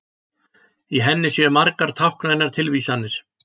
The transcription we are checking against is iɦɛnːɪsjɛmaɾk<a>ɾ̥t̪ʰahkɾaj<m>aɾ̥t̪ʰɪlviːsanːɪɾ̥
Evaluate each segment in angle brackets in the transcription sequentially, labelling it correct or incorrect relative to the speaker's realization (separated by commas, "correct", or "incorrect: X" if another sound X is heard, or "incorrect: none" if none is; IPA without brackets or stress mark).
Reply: correct, incorrect: n